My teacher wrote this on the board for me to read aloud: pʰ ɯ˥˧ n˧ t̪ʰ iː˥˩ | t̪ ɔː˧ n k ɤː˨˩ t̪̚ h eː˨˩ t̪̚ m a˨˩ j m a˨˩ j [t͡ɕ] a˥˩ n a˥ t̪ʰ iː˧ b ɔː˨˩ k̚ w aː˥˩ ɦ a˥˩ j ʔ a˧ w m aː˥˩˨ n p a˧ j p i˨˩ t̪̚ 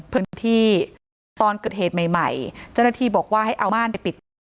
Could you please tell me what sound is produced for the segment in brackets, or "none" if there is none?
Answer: t͡ɕ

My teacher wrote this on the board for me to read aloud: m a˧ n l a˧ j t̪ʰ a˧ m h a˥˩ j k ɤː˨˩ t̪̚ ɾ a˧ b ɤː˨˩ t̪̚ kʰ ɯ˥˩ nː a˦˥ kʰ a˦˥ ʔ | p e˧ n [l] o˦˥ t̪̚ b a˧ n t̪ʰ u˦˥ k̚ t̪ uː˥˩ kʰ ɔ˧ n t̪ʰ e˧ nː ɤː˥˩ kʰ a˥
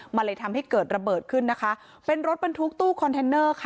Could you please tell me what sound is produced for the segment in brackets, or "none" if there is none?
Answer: ɾ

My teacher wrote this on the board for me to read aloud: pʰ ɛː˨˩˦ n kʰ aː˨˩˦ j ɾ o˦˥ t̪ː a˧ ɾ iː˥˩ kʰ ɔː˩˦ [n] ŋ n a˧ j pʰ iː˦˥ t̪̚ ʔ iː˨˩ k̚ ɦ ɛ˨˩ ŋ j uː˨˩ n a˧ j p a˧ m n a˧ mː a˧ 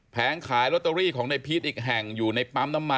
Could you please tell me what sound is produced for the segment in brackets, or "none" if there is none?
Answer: none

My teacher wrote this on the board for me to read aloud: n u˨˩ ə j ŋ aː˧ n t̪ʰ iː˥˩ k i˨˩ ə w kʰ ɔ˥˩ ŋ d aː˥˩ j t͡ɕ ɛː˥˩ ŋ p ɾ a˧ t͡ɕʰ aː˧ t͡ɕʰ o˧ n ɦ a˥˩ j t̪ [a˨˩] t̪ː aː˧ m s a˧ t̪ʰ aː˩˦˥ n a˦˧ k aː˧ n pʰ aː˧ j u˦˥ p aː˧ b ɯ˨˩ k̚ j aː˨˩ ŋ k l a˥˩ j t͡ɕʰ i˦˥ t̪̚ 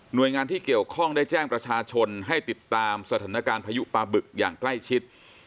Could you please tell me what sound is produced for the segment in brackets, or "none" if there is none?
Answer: i˨˩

